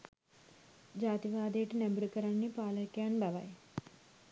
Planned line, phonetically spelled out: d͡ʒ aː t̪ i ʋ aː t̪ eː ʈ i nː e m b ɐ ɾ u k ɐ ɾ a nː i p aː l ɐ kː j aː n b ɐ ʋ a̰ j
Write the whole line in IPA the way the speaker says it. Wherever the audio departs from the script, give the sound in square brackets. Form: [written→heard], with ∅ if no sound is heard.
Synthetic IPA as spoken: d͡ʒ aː t̪ i ʋ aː [t̪→d̪] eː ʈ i [nː→n] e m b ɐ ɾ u k ɐ ɾ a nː i p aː l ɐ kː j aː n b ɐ ʋ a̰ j